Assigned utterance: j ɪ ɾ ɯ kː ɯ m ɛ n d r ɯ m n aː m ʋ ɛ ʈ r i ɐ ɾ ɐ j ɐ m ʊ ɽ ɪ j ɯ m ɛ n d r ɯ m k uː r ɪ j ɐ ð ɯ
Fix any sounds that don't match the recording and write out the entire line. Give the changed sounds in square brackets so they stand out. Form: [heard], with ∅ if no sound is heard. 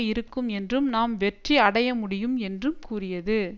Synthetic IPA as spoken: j ɪ ɾ ɯ kː ɯ m ɛ n d r ɯ m n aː m ʋ ɛ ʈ r i ɐ [ɽ] ɐ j ɐ m ʊ ɽ ɪ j ɯ m ɛ n d r ɯ m k uː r ɪ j ɐ ð ɯ